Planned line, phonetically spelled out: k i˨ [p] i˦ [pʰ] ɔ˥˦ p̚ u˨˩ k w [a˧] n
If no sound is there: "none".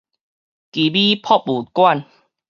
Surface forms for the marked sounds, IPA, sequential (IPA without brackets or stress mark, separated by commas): b, pʰ, a˥˨